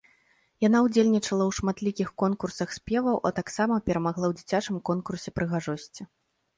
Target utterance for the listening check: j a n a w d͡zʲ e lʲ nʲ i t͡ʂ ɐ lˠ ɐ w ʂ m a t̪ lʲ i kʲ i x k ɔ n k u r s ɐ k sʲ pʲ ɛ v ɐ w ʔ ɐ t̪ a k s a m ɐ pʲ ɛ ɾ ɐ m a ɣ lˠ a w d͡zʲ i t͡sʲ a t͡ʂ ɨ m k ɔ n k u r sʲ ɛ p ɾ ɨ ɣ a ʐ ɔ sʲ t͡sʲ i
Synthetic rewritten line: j a n a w d͡zʲ e lʲ nʲ i t͡ʂ ɐ lˠ ɐ w ʂ m a t̪ lʲ i kʲ i x k ɔ n k u r s ɐ x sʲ pʲ ɛ v ɐ w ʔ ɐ t̪ a k s a m ɐ pʲ ɛ ɾ ɐ m a ɣ lˠ a w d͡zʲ i t͡sʲ a t͡ʂ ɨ m k ɔ n k u r sʲ ɛ p ɾ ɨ ɣ a ʐ ɔ sʲ t͡sʲ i